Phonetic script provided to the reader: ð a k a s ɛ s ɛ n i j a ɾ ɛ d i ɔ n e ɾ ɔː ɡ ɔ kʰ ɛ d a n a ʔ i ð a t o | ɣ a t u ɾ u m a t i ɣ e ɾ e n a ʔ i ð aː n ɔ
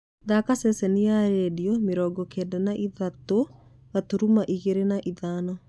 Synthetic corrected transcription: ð a k a s ɛ s ɛ n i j a ɾ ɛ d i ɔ m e ɾ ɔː ɡ ɔ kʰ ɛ d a n a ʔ i ð a t o | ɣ a t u ɾ u m a ʔ i ɣ e ɾ e n a ʔ i ð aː n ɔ